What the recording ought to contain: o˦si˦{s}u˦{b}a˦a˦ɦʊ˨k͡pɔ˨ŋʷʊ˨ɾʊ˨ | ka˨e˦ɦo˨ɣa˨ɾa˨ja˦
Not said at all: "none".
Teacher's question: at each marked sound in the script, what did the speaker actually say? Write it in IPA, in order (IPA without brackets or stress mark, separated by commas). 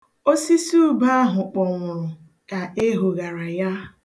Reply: s, b